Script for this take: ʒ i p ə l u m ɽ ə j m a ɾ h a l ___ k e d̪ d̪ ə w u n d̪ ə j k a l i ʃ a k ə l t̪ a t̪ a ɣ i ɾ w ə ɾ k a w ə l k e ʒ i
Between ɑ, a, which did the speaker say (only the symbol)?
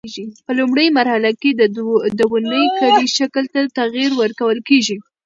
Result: a